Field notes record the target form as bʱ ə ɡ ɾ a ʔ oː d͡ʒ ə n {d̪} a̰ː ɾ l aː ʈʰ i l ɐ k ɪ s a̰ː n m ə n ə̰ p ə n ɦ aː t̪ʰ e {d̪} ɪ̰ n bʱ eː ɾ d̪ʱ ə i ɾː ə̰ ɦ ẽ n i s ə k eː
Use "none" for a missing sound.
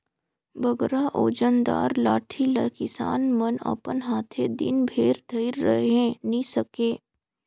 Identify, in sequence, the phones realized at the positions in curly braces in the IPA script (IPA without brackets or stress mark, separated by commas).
d̪, d̪